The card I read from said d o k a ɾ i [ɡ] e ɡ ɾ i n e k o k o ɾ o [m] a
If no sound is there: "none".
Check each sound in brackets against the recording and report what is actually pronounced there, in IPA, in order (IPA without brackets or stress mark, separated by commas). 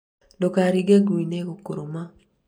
ɡ, m